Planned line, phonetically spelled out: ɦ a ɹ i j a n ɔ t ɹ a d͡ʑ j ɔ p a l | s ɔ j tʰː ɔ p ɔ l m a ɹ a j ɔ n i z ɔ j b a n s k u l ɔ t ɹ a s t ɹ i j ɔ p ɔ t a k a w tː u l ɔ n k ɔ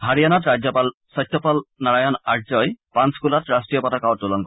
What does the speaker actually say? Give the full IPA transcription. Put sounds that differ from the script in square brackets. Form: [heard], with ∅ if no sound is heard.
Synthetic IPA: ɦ a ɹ i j a n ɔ t ɹ a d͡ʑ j ɔ p a l | s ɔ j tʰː ɔ p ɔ l [n] a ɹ a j ɔ n [a] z ɔ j [p] a n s k u l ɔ t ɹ a s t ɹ i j ɔ p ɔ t a k a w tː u l ɔ n k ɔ